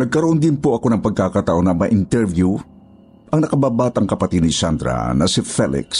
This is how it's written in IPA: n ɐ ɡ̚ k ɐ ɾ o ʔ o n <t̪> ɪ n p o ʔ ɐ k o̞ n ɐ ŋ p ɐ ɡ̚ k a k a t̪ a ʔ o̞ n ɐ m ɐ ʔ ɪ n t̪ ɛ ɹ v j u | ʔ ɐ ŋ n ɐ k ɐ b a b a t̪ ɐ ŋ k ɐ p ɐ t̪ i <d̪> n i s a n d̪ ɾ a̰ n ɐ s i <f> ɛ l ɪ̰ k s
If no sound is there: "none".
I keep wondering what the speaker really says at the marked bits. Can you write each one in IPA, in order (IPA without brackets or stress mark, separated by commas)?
d̪, d̪, f